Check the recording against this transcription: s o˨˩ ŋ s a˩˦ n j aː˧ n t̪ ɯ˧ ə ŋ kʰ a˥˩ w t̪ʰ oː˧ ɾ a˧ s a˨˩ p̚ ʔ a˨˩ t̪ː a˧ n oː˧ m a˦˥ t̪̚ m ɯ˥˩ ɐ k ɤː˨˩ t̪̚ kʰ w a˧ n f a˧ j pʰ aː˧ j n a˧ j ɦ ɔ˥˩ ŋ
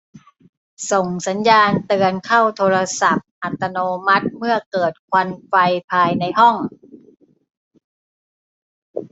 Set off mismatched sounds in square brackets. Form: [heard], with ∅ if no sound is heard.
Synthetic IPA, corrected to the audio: s o˨˩ ŋ s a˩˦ n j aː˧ n t̪ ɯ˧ ə [n] kʰ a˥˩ w t̪ʰ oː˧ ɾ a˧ s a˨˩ p̚ ʔ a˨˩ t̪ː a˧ n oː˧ m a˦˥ t̪̚ m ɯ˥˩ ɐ k ɤː˨˩ t̪̚ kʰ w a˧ n f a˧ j pʰ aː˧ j n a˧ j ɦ ɔ˥˩ ŋ